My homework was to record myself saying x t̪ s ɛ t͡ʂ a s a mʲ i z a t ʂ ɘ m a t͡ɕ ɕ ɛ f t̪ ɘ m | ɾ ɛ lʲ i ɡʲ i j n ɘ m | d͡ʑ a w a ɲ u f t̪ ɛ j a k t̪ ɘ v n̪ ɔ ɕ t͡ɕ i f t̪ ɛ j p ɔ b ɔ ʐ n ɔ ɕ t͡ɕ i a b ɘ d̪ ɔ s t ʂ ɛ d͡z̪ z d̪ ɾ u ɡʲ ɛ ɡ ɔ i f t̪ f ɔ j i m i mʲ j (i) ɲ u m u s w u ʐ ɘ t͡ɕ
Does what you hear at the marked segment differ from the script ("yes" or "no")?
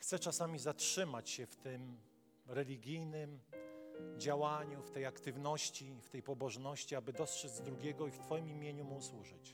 yes